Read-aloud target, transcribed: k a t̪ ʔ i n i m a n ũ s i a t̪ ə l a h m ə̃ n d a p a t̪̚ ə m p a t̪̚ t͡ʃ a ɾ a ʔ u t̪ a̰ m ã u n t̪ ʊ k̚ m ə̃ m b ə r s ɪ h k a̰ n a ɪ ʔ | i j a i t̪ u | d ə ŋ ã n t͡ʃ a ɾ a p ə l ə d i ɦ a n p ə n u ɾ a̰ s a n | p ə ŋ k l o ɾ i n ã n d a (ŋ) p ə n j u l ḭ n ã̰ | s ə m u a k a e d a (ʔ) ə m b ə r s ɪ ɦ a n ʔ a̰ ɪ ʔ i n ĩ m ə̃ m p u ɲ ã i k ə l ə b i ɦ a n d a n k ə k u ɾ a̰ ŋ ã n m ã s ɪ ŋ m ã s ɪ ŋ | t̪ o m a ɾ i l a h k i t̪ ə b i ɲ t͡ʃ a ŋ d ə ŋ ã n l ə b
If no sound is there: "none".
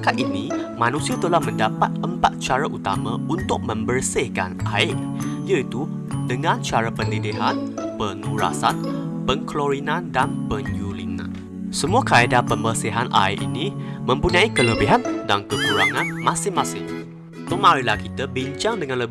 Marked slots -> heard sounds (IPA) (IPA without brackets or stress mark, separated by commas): n, p